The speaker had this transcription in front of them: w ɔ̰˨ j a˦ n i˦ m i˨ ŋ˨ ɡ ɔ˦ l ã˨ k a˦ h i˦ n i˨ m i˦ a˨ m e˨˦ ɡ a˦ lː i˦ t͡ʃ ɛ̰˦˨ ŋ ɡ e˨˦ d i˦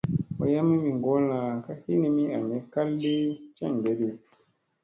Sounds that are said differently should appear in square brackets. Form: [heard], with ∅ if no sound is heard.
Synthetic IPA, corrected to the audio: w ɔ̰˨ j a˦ [m] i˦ m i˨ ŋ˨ ɡ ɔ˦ l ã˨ k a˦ h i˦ n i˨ m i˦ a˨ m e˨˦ [k] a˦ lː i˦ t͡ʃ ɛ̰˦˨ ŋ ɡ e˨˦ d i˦